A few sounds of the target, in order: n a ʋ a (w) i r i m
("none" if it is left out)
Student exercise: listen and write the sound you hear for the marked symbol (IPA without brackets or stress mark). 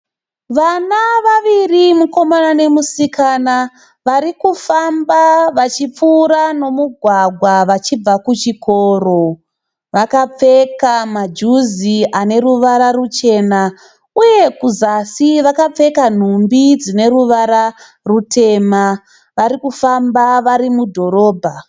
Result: ʋ